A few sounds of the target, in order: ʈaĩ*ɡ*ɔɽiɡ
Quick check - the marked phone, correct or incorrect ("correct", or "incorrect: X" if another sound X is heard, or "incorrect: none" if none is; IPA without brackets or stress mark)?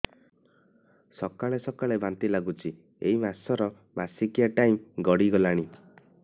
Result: correct